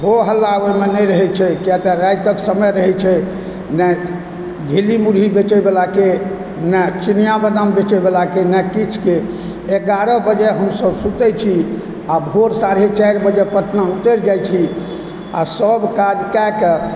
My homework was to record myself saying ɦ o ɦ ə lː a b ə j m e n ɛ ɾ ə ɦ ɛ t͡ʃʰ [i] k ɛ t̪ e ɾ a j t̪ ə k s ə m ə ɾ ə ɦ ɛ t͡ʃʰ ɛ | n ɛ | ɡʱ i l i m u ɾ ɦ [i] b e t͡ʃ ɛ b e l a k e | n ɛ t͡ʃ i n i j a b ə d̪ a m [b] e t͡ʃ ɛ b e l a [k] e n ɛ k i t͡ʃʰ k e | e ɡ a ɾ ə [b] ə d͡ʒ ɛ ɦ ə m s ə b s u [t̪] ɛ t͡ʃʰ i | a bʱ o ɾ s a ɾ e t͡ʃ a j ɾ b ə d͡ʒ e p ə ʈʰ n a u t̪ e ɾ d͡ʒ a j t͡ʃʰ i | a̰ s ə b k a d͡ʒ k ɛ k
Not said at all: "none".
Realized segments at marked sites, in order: ɛ, i, b, k, b, t̪

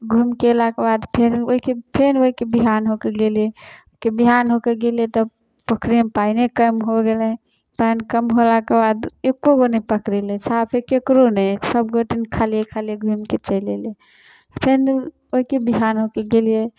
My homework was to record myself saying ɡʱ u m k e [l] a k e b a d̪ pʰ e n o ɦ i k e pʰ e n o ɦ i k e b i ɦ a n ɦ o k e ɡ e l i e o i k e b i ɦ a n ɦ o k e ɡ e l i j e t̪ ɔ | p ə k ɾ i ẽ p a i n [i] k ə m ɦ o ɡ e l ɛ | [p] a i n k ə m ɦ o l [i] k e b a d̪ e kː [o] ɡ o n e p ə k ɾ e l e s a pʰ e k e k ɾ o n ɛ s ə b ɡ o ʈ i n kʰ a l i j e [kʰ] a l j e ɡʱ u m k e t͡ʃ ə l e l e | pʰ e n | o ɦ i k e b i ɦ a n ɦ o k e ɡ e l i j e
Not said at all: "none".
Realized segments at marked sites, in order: l, e, p, a, o, kʰ

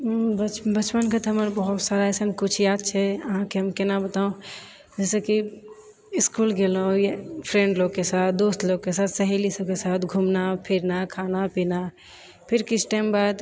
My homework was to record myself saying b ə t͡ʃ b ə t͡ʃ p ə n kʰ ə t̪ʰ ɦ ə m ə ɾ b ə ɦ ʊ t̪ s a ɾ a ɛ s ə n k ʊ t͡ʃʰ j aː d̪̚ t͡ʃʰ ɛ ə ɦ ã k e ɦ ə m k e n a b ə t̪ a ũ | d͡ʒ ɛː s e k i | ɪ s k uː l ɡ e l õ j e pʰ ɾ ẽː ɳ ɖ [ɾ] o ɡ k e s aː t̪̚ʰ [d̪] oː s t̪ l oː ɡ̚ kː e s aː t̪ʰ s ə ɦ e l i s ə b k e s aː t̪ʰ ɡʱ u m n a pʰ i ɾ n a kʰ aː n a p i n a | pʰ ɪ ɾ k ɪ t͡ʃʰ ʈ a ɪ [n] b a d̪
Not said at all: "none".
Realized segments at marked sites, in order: l, d̪, m

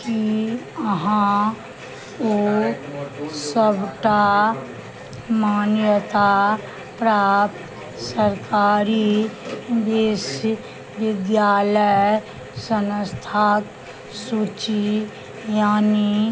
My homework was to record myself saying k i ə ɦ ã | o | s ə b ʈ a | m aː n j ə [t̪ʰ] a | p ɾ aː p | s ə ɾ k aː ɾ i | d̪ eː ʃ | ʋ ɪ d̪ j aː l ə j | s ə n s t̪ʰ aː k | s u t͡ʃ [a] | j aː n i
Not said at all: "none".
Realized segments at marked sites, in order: t̪, i

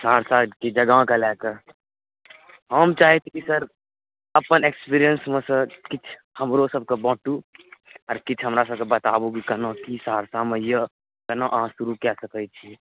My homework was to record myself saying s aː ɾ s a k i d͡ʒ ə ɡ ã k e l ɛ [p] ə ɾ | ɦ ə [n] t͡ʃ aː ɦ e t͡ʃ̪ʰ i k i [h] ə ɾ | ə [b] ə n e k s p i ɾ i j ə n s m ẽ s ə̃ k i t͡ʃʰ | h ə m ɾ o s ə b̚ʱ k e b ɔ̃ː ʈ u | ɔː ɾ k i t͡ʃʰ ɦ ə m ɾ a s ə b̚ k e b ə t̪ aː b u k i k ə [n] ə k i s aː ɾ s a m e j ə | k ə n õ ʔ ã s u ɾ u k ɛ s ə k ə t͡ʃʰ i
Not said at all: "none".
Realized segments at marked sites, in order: k, m, s, p, n

